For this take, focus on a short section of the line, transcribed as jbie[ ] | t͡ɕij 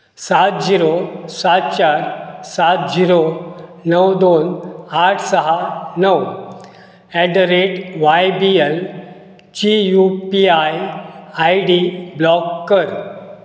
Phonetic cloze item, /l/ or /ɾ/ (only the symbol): l